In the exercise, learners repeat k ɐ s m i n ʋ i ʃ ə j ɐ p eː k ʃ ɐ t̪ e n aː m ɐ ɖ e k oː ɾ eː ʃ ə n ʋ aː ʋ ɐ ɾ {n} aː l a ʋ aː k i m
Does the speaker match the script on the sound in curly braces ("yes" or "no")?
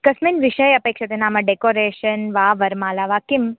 no